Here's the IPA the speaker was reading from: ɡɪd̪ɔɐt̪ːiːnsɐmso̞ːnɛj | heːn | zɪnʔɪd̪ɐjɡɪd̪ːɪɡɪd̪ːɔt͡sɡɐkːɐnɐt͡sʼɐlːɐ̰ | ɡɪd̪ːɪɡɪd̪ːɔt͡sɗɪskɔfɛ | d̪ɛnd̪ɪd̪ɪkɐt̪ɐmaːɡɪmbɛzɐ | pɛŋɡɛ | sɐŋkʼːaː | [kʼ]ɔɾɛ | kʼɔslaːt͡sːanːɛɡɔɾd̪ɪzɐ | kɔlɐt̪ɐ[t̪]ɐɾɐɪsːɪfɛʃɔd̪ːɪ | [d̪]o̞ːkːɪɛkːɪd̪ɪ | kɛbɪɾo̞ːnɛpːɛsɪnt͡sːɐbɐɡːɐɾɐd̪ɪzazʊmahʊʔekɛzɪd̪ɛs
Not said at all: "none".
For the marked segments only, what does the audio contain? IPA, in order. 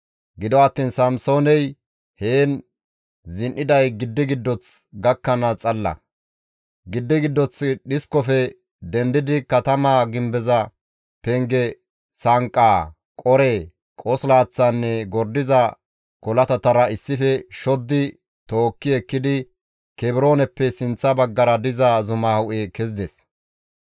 kʼ, t̪, t̪

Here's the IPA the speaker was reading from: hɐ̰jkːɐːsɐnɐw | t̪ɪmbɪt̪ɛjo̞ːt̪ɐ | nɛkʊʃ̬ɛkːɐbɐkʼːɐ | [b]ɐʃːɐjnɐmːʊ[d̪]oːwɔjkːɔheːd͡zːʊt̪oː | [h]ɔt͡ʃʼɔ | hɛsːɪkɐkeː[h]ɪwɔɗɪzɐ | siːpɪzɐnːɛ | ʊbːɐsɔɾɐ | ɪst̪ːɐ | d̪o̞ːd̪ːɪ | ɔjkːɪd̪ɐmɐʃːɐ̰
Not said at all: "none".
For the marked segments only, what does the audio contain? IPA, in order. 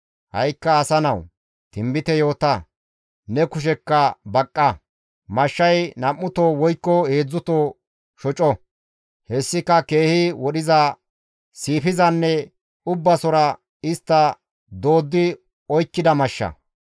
m, t̪, ʃ, h

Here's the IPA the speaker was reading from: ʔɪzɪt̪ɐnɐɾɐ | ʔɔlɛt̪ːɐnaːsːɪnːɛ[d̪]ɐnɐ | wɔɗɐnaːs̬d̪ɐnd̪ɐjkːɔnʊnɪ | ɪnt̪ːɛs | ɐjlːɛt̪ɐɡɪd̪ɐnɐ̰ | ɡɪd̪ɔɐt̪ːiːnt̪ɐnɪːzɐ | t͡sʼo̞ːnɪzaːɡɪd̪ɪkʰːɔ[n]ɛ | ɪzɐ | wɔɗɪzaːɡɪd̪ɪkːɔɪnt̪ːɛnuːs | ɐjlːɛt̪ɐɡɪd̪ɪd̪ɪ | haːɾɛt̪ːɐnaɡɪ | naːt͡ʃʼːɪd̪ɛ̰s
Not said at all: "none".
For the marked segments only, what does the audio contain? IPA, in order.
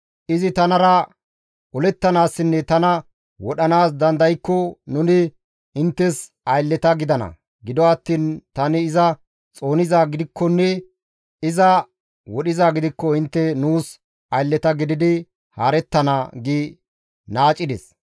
t̪, nː

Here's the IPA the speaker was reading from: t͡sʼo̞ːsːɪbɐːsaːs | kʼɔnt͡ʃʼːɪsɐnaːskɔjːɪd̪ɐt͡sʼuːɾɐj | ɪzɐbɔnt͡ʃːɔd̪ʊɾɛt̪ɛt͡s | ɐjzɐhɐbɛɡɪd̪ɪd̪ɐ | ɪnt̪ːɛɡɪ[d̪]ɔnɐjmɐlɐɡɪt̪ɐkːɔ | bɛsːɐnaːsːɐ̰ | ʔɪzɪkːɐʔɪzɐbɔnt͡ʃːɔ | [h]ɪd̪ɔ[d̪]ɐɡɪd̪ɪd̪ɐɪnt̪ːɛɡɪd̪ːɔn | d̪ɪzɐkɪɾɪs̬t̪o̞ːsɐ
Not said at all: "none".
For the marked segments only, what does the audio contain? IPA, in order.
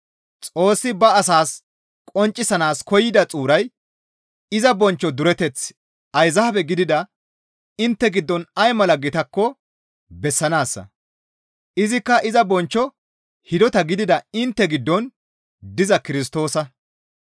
d̪ː, h, t̪

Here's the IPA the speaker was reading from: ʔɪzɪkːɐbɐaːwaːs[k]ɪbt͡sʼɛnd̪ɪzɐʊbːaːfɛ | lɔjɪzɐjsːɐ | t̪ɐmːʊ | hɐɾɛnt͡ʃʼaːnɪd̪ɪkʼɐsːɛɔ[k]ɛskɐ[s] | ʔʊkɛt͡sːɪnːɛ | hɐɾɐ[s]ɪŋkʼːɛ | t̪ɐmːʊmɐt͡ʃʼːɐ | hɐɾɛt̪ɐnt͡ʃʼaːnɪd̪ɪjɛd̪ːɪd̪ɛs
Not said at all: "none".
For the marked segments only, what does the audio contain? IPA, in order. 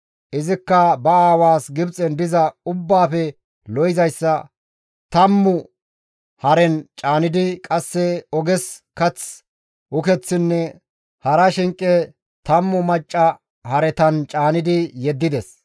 ɡ, ɡ, t͡s, ʃ

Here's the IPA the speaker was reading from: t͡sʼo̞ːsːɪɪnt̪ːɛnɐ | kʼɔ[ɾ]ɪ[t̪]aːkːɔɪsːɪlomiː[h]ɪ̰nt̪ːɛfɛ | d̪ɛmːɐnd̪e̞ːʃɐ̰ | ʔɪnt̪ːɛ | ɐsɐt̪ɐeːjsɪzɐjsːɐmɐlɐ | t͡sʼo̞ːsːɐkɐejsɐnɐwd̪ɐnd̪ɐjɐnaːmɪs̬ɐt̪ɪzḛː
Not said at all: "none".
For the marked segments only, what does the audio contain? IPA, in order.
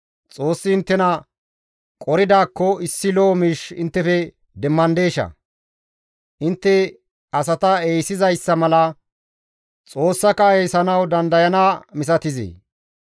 ɾ, d̪, ʃ

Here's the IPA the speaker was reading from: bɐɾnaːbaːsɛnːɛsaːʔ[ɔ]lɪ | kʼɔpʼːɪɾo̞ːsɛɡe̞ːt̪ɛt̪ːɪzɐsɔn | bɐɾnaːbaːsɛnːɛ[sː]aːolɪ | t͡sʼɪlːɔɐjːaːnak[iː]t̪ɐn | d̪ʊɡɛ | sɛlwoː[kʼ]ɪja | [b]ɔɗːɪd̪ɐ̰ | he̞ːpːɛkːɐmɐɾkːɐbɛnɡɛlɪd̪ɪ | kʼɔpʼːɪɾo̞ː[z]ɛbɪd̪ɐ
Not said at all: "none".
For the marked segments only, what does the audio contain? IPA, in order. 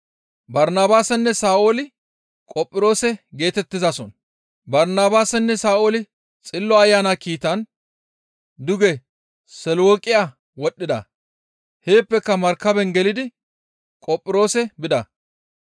o, s, iː, kʼ, w, s

